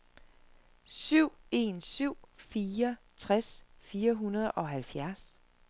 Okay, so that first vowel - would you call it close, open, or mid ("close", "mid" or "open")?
close